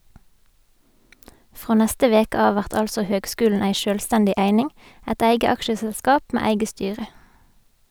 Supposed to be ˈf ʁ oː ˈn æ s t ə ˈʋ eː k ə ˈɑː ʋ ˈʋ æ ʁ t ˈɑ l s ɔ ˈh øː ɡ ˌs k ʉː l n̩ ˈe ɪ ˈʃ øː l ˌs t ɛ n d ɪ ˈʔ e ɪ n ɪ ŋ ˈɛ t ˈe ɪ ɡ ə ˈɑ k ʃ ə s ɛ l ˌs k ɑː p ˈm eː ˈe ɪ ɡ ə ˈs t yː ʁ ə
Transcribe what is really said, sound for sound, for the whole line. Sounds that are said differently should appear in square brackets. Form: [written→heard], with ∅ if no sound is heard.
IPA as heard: ˈf ʁ oː ˈn [æ→ɛ] s t ə ˈʋ eː k ə ˈɑː ʋ ˈʋ æ ʁ t ˈɑ l s ɔ ˈh øː ɡ ˌs k ʉː l n̩ ˈe ɪ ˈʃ øː l ˌs t ɛ n d ɪ ˈʔ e ɪ n ɪ ŋ ˈɛ t ˈe ɪ ɡ ə ˈɑ k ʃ ə s ɛ l ˌs k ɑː p ˈm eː ˈe ɪ ɡ ə ˈs t yː ʁ ə